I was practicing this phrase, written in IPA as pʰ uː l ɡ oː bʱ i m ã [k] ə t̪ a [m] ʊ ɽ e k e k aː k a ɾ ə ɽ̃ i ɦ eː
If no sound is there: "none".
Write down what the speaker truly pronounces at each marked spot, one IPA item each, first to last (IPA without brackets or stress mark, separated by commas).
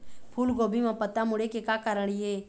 p, m